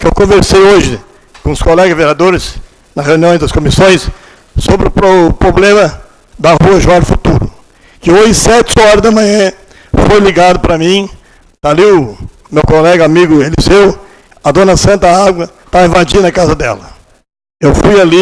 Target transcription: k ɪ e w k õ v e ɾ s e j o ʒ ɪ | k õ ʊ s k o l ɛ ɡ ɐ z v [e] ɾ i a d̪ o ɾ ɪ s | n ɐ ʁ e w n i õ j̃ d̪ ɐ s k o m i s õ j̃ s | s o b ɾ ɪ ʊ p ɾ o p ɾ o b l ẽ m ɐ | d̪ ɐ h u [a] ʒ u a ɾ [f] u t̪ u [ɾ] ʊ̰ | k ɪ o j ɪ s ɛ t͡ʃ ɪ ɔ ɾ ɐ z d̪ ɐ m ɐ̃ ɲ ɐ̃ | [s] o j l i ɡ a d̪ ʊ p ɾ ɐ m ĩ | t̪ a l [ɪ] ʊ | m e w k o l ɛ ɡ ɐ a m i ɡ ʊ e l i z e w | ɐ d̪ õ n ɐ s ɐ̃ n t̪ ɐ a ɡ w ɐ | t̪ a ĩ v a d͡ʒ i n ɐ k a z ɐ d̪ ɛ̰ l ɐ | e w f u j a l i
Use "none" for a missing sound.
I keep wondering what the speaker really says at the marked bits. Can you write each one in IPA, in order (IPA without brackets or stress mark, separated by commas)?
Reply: e, ɐ, f, ɾ, f, i